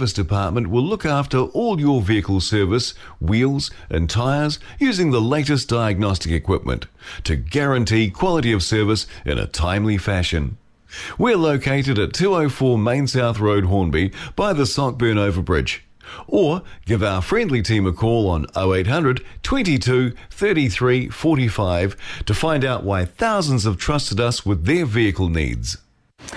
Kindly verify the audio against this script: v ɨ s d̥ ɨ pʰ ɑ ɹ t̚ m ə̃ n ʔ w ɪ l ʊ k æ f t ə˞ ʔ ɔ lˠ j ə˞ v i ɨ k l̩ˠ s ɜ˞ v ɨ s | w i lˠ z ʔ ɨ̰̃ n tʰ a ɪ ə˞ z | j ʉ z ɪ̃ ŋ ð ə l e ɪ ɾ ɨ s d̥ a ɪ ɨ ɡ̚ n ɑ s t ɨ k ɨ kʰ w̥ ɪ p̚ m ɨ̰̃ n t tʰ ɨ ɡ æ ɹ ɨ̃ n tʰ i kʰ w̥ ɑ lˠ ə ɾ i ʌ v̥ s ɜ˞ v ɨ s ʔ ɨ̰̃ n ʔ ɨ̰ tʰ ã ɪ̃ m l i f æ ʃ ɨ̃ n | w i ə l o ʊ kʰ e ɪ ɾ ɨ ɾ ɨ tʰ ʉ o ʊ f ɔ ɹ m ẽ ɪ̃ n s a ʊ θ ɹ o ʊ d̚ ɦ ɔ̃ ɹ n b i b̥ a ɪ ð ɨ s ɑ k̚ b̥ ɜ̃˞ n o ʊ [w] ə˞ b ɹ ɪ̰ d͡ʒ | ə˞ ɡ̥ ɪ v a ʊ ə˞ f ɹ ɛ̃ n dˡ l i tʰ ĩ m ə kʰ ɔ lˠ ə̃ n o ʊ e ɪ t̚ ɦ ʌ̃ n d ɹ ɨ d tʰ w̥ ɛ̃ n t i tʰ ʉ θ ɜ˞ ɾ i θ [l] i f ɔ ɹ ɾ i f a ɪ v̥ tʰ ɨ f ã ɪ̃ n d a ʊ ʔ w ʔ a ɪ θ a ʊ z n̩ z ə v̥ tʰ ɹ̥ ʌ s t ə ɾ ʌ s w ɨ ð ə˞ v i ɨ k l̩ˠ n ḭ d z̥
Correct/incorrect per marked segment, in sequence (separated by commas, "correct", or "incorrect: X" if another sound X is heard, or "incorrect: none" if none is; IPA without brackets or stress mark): incorrect: v, incorrect: ɹ